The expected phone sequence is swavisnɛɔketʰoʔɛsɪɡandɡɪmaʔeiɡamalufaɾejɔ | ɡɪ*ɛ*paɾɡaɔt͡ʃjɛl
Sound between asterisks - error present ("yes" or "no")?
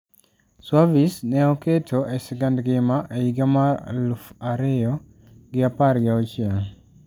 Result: yes